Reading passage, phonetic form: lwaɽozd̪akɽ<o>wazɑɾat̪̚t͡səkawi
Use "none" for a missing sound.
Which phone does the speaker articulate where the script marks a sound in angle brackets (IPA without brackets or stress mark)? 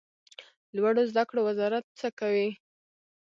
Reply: o